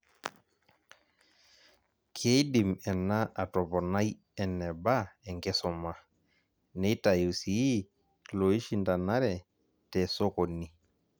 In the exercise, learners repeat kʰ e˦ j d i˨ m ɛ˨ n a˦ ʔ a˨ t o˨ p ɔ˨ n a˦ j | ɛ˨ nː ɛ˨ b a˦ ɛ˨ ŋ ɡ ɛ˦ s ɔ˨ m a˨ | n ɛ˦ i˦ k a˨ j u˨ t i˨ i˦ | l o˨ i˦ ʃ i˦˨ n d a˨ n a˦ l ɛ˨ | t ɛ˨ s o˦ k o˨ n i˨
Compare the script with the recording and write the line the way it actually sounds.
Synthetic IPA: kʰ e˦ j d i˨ m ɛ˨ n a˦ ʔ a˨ t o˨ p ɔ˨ n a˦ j | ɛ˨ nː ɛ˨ b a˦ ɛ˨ ŋ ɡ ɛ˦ s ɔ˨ m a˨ | n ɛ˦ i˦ t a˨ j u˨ s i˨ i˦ | l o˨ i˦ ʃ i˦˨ n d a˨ n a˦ ɾ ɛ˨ | t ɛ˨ s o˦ k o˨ n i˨